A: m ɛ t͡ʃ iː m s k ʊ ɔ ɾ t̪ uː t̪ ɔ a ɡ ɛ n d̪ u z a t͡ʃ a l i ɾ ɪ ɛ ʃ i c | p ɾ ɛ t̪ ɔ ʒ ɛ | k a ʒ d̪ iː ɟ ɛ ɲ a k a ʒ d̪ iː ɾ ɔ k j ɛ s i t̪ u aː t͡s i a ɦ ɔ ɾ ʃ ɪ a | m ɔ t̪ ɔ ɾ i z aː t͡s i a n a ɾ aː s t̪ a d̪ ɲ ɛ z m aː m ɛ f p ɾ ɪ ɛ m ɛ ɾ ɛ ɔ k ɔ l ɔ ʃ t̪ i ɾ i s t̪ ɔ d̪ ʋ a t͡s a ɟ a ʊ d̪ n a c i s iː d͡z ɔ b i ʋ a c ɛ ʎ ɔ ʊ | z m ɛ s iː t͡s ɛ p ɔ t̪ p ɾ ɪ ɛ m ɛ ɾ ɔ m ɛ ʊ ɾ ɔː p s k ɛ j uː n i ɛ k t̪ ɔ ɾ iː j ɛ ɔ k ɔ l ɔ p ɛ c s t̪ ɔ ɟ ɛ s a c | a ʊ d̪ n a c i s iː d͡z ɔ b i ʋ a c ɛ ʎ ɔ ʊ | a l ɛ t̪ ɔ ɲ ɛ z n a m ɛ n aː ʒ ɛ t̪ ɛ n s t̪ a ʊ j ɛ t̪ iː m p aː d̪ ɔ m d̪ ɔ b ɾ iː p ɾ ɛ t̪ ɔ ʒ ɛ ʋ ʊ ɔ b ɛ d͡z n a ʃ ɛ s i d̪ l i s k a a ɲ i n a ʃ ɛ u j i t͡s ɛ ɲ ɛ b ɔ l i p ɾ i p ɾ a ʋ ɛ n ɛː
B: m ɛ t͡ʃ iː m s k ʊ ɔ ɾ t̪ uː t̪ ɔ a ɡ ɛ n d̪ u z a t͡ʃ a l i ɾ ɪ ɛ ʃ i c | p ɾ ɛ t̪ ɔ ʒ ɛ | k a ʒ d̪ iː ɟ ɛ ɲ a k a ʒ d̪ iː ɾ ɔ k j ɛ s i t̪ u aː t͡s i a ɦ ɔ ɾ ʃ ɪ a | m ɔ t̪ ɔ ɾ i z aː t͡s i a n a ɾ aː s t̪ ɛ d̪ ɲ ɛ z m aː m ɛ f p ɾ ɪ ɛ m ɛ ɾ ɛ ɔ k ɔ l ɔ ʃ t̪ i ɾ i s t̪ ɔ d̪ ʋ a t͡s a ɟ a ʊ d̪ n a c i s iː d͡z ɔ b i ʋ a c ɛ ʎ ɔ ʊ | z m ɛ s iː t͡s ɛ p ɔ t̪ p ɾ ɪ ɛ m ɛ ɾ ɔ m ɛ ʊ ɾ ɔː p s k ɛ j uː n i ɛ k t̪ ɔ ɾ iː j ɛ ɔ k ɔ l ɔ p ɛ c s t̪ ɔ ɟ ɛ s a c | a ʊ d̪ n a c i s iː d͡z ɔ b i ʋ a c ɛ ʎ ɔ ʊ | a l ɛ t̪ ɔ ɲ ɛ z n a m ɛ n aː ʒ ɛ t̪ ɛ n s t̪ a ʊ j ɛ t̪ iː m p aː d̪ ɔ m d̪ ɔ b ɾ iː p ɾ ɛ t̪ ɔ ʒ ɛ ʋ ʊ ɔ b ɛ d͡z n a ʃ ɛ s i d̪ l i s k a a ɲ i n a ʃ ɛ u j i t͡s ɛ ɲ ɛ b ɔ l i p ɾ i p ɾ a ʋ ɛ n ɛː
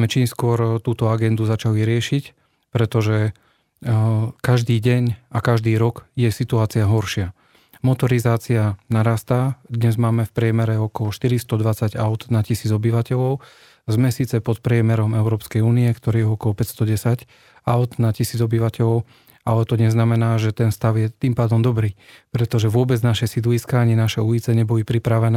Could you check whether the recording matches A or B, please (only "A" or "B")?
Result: A